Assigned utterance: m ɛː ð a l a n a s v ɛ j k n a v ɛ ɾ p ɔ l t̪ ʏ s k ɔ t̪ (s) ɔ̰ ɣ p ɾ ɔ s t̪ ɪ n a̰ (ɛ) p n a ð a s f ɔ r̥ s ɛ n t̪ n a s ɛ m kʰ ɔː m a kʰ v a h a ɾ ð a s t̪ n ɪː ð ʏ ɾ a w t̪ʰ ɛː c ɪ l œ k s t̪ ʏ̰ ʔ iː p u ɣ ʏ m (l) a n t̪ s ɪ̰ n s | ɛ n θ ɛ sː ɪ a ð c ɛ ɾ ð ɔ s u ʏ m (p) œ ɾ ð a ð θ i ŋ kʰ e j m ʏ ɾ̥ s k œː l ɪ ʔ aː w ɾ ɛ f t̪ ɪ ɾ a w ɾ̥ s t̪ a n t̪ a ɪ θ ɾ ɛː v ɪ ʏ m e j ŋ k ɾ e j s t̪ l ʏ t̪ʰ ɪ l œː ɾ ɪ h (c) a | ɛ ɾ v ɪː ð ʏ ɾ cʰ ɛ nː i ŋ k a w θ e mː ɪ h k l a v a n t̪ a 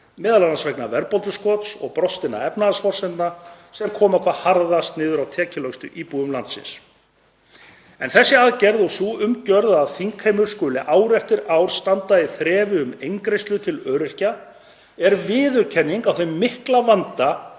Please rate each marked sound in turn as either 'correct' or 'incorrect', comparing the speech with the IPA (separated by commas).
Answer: correct, correct, correct, incorrect, correct